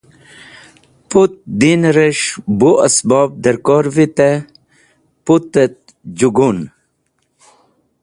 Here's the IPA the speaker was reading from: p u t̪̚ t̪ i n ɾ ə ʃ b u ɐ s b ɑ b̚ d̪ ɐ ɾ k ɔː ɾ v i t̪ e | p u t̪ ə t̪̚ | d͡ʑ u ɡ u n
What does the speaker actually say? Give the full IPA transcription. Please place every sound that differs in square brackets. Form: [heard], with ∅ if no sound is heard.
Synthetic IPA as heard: p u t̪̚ [d̪] i n ɾ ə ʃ b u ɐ s b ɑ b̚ d̪ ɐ ɾ k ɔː ɾ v i t̪ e | p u t̪ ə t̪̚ | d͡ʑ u ɡ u n